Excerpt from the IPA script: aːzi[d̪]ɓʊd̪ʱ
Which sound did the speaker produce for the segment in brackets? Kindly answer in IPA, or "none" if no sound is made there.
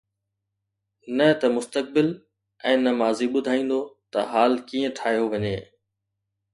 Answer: none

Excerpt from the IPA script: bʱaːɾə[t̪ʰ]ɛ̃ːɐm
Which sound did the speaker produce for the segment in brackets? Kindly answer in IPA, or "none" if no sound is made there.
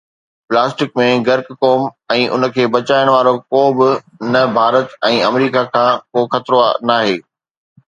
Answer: t̪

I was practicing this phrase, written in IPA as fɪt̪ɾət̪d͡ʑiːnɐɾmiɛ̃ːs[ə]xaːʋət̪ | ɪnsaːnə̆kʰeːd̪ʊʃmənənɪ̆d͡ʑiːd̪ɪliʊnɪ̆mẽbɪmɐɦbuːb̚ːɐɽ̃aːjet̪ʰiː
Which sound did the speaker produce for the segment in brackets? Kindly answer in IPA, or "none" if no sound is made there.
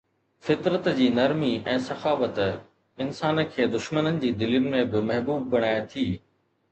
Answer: ɐ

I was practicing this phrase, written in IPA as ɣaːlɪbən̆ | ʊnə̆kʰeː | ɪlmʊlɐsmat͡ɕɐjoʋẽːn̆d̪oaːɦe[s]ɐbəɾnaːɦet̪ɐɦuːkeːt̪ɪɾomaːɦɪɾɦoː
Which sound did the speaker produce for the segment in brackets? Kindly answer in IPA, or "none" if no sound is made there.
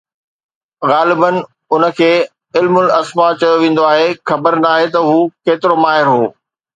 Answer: x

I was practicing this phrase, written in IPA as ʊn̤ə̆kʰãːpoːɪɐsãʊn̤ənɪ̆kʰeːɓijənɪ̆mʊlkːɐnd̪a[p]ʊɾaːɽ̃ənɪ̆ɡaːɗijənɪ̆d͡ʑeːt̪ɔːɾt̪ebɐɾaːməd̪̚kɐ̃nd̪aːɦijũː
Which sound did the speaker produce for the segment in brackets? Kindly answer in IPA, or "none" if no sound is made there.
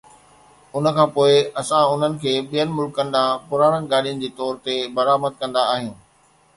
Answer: p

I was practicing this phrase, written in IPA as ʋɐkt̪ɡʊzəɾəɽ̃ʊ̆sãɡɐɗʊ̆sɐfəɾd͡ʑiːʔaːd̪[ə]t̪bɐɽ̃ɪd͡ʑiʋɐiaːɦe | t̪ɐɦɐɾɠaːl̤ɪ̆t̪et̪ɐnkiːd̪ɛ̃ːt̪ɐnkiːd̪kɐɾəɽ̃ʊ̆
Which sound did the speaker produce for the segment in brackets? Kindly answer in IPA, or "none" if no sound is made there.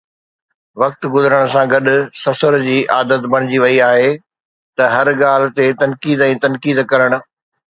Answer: ə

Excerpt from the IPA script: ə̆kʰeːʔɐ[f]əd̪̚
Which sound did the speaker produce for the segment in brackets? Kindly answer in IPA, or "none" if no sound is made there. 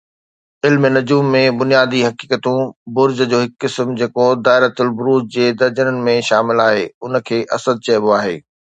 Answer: s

